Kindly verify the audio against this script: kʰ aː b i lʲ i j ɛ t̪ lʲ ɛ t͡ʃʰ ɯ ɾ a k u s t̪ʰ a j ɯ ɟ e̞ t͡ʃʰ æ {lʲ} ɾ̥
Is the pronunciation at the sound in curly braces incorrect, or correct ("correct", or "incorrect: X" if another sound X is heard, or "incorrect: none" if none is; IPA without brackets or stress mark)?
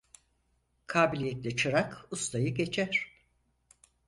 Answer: incorrect: none